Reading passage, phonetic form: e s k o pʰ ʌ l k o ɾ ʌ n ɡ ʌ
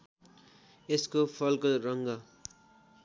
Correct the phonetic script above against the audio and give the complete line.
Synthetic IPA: e s k o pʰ ʌ l k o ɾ ʌ ŋ ɡ ʌ